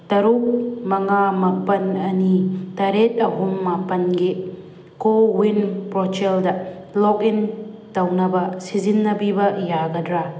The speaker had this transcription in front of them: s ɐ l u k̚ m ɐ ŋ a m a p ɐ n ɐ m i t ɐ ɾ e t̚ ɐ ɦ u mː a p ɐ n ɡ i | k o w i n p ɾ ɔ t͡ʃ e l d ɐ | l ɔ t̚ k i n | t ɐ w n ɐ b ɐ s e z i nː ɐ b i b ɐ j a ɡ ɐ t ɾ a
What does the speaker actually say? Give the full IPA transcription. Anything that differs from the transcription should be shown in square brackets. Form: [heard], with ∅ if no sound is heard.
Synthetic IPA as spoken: [t] ɐ [ɾ] u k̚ m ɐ ŋ a m a p ɐ n ɐ [n] i t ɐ ɾ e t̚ ɐ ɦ u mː a p ɐ n ɡ i | k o w i n p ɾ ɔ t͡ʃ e l d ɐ | l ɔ [∅] k i n | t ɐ w n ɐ b ɐ s [i] z i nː ɐ b i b ɐ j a ɡ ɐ [d] ɾ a